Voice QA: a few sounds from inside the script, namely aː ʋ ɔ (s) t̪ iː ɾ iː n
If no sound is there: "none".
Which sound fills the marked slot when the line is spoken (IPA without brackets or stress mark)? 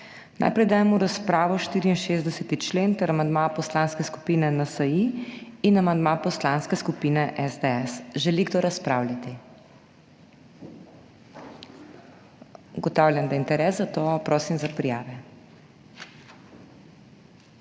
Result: ʃ